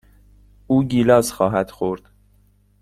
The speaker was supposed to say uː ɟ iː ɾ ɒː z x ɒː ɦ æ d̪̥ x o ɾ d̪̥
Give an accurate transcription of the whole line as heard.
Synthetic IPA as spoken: uː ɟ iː l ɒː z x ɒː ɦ æ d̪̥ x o ɾ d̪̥

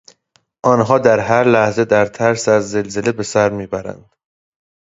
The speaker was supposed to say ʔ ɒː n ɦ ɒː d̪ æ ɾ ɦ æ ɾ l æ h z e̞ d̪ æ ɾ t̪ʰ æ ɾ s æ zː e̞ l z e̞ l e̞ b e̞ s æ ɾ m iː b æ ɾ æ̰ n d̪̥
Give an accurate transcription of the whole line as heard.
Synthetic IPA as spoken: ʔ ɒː n ɦ ɒː d̪ æ ɾ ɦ æ ɾ l æ h z e̞ d̪ æ ɾ t̪ʰ æ ɾ s æ zː e̞ l z e̞ l e̞ b e̞ s æ ɾ m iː b æ ɾ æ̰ n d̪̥

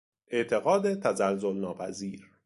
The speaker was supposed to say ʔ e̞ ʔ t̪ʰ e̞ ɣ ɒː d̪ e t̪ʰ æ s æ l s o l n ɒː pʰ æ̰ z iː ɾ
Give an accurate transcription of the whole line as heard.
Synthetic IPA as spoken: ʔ e̞ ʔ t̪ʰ e̞ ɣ ɒː d̪ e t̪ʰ æ z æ l z o l n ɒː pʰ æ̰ z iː ɾ

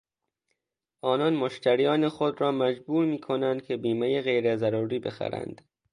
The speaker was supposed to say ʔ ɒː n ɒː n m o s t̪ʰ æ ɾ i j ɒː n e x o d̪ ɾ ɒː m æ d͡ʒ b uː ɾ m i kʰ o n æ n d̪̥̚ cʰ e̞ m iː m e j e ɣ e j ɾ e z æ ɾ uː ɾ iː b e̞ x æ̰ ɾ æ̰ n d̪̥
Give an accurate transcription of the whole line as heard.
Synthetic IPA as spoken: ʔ ɒː n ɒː n m o ʃ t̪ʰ æ ɾ i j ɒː n e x o d̪ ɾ ɒː m æ d͡ʒ b uː ɾ m iː kʰ o n æ n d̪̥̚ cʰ e̞ b iː m e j e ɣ e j ɾ e z æ ɾ uː ɾ iː b e̞ x æ̰ ɾ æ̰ n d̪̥

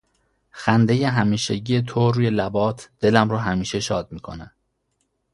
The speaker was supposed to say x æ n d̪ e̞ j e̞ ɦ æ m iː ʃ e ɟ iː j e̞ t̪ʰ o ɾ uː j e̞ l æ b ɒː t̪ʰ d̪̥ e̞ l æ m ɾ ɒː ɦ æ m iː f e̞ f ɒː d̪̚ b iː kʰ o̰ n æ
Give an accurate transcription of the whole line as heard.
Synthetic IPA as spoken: x æ n d̪ e̞ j e̞ ɦ æ m iː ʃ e ɟ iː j e̞ t̪ʰ o ɾ uː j e̞ l æ b ɒː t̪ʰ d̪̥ e̞ l æ m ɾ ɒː ɦ æ m iː ʃ e̞ ʃ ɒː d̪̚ m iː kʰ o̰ n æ

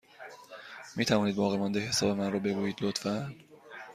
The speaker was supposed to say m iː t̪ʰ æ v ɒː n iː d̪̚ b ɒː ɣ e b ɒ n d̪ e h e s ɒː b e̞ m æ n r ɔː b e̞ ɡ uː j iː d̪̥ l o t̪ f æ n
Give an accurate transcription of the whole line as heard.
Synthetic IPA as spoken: m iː t̪ʰ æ v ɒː n iː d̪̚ b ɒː ɣ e m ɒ n d̪ e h e s ɒː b e̞ m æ n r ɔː b e̞ ɡ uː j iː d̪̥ l o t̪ f æ n

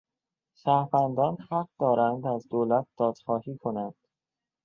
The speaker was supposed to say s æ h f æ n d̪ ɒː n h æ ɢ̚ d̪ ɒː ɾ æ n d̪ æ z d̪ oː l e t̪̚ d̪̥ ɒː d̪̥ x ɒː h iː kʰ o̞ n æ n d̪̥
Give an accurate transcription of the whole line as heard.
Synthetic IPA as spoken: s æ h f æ n d̪ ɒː n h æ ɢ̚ d̪ ɒː ɾ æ n d̪ æ z d̪ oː l æ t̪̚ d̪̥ ɒː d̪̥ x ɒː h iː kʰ o̞ n æ n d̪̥

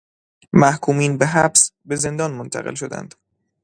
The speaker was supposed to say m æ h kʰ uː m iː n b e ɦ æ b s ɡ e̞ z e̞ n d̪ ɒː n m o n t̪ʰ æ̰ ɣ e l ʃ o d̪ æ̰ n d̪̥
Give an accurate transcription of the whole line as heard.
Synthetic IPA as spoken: m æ h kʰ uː m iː n b e ɦ æ b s b e̞ z e̞ n d̪ ɒː n m o n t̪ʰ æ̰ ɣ e l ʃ o d̪ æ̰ n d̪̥

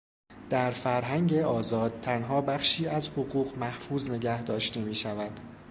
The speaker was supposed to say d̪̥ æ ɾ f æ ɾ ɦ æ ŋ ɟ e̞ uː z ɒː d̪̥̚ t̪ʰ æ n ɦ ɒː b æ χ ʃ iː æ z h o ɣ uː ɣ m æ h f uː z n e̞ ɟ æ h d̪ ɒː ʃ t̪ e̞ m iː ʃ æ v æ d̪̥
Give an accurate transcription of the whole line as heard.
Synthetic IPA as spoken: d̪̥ æ ɾ f æ ɾ ɦ æ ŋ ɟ e̞ ɒː z ɒː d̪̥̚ t̪ʰ æ n ɦ ɒː b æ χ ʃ iː æ z h o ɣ uː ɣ m æ h f uː z n e̞ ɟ æ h d̪ ɒː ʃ t̪ e̞ m iː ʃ æ v æ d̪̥

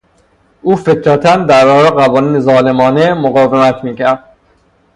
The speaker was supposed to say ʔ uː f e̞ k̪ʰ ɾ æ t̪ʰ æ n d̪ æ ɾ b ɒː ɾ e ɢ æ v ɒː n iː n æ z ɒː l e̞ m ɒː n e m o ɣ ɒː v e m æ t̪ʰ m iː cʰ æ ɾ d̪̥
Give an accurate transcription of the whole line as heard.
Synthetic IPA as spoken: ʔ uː f e̞ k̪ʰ ɾ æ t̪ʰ æ n d̪ æ ɾ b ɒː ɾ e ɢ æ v ɒː n iː n e z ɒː l e̞ m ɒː n e m o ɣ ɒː v e m æ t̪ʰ m iː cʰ æ ɾ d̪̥

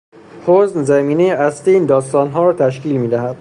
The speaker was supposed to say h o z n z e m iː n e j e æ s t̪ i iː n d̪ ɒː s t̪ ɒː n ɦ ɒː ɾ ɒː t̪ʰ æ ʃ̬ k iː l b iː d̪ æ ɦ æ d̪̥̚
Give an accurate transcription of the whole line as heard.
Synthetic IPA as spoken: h o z n z æ m iː n e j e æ s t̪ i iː n d̪ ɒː s t̪ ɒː n ɦ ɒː ɾ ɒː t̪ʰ æ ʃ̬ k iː l m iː d̪ æ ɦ æ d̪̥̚

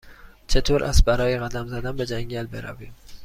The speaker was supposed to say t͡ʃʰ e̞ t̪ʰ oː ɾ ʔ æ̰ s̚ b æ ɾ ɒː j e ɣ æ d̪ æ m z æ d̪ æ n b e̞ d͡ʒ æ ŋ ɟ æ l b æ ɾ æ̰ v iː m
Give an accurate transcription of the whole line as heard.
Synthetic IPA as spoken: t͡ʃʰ e̞ t̪ʰ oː ɾ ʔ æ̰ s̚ b æ ɾ ɒː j e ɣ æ d̪ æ m z æ d̪ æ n b e̞ d͡ʒ æ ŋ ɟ æ l b e ɾ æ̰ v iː m

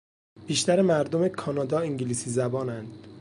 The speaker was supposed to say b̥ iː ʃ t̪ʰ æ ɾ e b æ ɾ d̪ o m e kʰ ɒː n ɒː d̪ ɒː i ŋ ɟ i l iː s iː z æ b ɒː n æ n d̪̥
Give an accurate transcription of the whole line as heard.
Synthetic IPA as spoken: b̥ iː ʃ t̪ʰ æ ɾ e m æ ɾ d̪ o m e kʰ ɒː n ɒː d̪ ɒː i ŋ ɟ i l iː s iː z æ b ɒː n æ n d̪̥

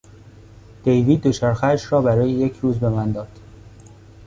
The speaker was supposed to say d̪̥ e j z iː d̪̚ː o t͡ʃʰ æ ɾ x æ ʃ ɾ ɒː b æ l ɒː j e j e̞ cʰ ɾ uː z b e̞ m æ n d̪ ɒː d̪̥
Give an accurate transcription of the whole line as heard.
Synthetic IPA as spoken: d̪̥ e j v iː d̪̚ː o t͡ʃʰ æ ɾ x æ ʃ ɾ ɒː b æ ɾ ɒː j e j e̞ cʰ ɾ uː z b e̞ m æ n d̪ ɒː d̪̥

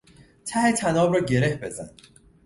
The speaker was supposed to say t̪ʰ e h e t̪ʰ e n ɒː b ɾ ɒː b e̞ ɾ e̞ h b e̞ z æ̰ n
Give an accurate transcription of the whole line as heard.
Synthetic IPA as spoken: t̪ʰ æ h e t̪ʰ æ n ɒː b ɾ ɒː ɟ e̞ ɾ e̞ h b e̞ z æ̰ n

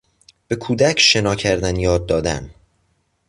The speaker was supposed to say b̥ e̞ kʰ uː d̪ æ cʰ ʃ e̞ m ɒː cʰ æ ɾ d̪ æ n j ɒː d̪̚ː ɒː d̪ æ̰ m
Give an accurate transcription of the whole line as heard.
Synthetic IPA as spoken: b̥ e̞ kʰ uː d̪ æ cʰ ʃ e̞ n ɒː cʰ æ ɾ d̪ æ n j ɒː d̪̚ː ɒː d̪ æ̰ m

